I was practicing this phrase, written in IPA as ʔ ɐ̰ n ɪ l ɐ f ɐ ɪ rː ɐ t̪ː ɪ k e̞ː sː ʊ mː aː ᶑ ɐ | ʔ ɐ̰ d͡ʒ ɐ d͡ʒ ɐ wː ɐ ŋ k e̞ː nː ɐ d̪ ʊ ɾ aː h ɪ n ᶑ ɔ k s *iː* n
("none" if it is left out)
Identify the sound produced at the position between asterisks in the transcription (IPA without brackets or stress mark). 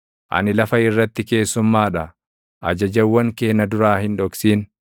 iː